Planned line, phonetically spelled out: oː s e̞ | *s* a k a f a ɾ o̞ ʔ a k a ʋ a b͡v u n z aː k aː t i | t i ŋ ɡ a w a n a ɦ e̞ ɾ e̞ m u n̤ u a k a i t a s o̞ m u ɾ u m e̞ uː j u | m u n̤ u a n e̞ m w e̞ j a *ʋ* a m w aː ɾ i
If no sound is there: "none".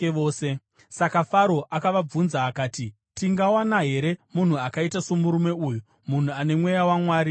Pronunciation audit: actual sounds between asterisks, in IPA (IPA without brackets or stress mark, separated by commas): s, w